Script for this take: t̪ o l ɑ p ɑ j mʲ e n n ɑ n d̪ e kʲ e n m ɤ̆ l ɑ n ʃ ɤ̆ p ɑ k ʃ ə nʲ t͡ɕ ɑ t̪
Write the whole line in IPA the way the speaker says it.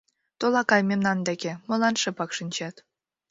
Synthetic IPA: t̪ o l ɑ k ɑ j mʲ e m n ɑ n d̪ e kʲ e m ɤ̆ l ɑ n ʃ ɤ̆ p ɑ k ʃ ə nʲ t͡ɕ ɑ t̪